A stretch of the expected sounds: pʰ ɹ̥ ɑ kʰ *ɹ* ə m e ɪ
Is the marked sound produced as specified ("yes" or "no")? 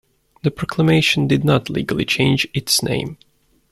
no